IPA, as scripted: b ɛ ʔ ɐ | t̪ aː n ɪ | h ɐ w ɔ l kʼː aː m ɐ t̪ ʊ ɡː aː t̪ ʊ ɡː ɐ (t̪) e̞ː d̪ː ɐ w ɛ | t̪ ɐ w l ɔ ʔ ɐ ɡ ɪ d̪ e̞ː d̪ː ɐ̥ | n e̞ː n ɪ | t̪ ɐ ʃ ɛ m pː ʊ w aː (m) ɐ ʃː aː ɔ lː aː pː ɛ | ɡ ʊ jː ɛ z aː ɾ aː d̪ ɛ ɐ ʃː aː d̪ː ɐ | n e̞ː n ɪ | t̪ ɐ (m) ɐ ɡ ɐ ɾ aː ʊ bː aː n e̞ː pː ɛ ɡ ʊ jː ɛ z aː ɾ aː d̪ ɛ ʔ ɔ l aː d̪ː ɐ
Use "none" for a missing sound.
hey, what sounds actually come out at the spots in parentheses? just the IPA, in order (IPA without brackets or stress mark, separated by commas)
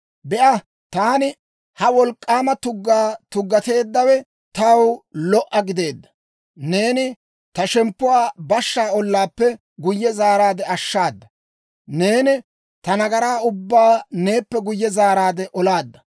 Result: t̪, b, n